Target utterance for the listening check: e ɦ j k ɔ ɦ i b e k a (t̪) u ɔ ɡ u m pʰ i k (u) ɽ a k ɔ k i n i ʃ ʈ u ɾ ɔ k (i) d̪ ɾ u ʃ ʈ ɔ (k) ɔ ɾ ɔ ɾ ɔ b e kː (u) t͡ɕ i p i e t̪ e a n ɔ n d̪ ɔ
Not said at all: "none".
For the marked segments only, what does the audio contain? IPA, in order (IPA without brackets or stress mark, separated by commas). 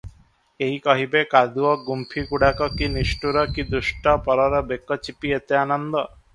d̪, u, i, p, ɔ